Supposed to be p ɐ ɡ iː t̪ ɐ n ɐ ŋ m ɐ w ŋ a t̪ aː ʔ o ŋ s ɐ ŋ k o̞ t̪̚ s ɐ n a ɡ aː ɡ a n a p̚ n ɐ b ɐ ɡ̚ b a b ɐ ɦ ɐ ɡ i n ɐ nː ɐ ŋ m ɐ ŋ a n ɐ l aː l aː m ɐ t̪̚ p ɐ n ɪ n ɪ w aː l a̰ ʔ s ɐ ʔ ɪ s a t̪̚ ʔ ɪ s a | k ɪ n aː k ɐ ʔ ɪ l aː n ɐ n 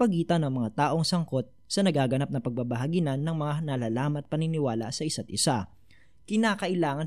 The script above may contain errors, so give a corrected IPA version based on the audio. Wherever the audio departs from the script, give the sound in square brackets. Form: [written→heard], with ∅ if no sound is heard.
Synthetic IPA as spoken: p ɐ ɡ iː t̪ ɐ n ɐ ŋ m ɐ [w→∅] ŋ a t̪ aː ʔ o ŋ s ɐ ŋ k o̞ t̪̚ s ɐ n [a→ɐ] ɡ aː ɡ [a→ɐ] n a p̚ n ɐ [b→p] ɐ ɡ̚ b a b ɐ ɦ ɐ ɡ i n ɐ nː ɐ ŋ m ɐ ŋ a n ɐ l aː l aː m ɐ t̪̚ p ɐ n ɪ n ɪ w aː l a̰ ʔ s ɐ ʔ ɪ s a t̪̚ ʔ ɪ s a | k ɪ n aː k ɐ ʔ ɪ l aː [n→ŋ] ɐ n